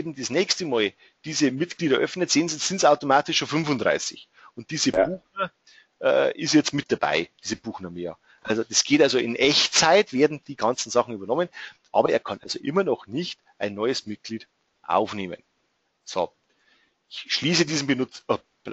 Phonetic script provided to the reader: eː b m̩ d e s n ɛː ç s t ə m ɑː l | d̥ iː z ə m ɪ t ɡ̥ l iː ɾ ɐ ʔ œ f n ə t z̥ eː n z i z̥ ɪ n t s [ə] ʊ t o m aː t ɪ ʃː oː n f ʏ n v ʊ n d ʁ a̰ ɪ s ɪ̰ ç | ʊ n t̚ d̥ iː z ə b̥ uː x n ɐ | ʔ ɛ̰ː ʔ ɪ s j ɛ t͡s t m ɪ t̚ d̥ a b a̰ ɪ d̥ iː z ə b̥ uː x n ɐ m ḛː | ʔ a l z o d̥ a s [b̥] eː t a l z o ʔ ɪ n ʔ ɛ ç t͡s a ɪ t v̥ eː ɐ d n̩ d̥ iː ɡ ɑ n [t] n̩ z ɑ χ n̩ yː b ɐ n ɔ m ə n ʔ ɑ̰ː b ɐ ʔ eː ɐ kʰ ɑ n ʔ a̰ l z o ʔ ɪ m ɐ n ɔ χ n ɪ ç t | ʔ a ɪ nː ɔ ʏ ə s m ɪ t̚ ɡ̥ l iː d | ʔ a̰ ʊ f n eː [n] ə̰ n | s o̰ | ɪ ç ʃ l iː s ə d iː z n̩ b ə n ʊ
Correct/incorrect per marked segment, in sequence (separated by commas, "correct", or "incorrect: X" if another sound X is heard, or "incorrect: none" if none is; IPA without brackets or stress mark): incorrect: a, incorrect: ɡ̥, incorrect: t͡s, incorrect: m